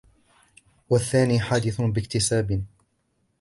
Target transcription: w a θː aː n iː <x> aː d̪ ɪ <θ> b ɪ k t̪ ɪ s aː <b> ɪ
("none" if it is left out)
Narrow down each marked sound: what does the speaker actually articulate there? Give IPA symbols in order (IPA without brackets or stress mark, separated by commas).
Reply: ħ, θ, b